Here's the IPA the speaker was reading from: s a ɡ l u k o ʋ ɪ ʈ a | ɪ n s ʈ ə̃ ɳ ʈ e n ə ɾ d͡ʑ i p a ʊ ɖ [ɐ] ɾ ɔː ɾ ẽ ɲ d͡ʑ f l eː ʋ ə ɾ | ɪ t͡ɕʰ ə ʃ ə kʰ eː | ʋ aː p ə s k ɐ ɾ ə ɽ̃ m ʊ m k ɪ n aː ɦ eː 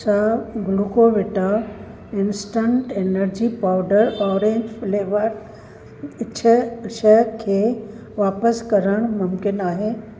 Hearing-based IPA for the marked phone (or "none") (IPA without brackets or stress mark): ə